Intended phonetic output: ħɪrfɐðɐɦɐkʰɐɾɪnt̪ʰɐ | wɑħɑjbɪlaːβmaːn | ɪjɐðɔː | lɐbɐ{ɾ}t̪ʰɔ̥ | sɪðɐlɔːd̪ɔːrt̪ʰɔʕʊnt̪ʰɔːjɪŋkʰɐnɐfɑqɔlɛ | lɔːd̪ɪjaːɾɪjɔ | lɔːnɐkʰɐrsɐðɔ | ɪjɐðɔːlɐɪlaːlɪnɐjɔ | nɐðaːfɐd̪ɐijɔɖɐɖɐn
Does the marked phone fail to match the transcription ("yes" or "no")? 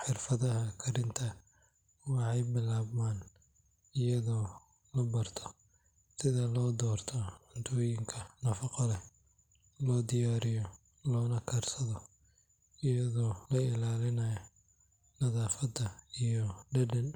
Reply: yes